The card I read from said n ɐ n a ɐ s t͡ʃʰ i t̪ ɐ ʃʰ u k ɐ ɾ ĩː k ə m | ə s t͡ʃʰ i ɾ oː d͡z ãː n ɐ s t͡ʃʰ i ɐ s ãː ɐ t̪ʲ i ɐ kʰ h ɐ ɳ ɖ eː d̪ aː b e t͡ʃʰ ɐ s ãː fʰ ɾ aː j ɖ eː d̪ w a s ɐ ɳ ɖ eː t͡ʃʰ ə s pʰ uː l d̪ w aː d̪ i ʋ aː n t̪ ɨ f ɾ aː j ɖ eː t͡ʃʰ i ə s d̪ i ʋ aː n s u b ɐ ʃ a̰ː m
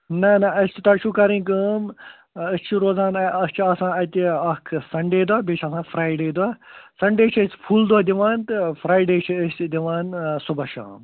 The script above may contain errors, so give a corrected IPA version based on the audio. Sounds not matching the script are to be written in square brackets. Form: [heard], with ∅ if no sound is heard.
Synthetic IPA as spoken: n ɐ n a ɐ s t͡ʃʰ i t̪ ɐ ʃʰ u k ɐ ɾ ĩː k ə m | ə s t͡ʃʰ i ɾ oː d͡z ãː n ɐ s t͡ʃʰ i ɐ s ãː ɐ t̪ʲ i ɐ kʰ [s] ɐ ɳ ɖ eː d̪ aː b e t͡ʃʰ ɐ s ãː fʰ ɾ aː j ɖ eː d̪ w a s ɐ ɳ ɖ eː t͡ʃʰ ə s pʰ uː l d̪ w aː d̪ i ʋ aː n t̪ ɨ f ɾ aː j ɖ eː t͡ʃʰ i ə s d̪ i ʋ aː n s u b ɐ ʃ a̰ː m